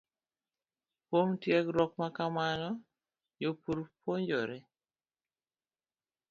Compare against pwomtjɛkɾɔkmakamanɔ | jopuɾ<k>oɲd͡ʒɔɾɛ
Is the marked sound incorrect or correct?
incorrect: p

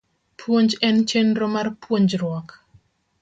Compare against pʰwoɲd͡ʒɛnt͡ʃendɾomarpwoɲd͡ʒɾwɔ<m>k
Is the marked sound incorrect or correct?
incorrect: none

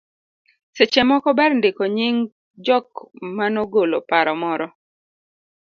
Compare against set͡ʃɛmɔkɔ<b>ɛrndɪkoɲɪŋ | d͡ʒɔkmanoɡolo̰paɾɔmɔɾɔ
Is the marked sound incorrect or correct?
correct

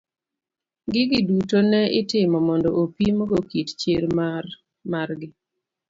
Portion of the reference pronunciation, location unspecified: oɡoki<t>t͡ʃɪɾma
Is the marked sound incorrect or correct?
correct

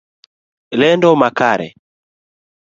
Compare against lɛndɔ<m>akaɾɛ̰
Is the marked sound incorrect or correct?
correct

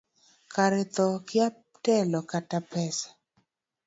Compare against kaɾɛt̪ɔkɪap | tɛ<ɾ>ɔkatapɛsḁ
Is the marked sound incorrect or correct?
incorrect: l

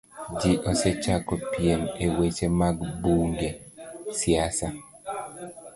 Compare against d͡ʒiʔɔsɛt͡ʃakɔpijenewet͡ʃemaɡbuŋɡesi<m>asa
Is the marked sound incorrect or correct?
incorrect: none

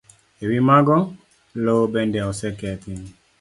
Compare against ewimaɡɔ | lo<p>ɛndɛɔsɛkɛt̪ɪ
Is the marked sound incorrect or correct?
incorrect: b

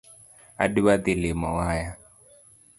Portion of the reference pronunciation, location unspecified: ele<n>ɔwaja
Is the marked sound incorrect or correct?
incorrect: m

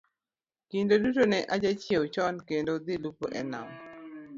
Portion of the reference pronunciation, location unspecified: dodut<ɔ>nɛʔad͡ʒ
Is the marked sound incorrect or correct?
incorrect: o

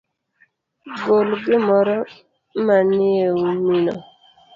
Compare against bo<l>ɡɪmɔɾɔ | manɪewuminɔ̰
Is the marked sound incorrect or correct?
correct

